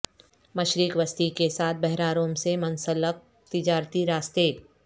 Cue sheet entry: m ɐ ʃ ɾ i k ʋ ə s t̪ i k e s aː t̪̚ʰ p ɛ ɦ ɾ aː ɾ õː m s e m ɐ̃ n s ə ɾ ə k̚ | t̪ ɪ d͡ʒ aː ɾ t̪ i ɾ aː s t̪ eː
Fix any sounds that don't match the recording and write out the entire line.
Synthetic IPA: m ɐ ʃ ɾ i k ʋ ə s t̪ i k e s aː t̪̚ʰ b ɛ ɦ ɾ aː ɾ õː m s e m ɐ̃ n s ə l ə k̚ | t̪ ɪ d͡ʒ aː ɾ t̪ i ɾ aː s t̪ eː